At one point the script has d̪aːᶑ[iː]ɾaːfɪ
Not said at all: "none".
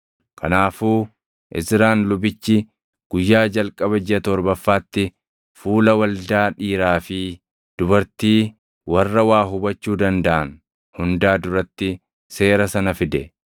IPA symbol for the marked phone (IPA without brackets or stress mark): iː